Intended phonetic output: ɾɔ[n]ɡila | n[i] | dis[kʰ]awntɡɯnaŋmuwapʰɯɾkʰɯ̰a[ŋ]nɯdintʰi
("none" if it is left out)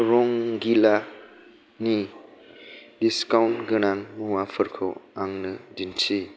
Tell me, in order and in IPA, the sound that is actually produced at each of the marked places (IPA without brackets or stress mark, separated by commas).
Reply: ŋ, i, k, ŋ